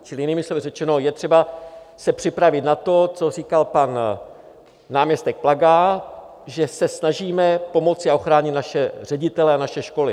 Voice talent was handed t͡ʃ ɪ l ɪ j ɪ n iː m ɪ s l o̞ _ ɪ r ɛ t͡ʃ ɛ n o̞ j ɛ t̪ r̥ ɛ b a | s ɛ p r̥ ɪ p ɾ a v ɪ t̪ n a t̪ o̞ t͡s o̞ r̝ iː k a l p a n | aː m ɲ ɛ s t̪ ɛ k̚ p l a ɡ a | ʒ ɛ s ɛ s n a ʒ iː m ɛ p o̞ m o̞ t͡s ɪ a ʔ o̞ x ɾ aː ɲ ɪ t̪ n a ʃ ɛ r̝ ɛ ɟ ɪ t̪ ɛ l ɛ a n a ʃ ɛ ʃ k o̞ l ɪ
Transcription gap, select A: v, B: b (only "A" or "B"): A